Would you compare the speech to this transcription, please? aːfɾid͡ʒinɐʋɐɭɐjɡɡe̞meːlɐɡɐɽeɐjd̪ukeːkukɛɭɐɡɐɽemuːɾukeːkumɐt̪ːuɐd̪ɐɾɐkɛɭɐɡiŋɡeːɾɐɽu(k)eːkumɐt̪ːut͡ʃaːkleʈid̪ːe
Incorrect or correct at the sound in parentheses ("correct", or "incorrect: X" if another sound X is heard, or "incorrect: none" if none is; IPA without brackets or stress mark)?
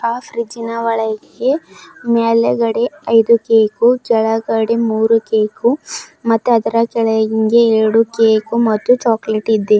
correct